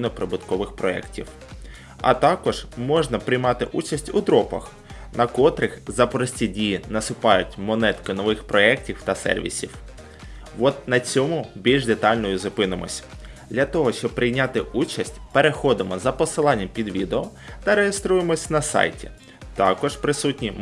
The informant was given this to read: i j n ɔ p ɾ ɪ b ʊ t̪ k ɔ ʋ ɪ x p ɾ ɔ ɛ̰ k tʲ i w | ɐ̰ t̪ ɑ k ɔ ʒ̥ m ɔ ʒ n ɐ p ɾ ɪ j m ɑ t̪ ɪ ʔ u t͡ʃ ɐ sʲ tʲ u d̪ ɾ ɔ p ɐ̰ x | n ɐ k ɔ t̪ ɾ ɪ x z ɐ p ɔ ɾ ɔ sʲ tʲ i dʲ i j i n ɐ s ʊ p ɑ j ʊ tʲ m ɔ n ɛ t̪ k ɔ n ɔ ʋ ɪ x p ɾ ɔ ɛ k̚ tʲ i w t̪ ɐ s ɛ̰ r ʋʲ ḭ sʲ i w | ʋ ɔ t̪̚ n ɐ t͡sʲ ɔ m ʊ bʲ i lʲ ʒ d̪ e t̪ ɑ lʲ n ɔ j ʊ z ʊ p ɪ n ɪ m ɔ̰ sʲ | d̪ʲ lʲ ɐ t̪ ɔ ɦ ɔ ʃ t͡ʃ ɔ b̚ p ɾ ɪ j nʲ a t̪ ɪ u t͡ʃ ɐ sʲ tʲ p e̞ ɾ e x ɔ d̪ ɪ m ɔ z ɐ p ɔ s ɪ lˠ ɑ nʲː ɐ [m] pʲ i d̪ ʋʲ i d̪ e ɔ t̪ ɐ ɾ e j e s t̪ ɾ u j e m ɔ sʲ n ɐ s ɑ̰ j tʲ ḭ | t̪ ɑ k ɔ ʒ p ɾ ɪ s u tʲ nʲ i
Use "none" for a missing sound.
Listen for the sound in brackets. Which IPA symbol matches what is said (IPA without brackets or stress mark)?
m